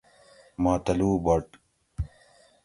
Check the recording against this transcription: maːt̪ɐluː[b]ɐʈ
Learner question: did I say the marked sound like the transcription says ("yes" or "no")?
yes